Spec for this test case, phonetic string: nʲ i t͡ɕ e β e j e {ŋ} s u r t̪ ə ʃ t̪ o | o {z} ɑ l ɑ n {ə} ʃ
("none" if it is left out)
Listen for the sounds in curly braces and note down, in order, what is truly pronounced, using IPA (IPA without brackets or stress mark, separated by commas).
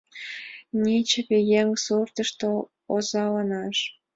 ŋ, z, ɑ